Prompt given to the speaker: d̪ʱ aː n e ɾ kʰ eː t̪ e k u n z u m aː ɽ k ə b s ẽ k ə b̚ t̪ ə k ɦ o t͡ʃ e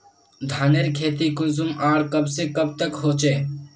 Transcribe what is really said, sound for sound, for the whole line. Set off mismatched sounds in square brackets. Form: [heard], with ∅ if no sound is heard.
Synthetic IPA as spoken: d̪ʱ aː n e ɾ kʰ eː t̪ [i] k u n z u m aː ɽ k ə b s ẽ k ə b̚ t̪ ə k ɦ o t͡ʃ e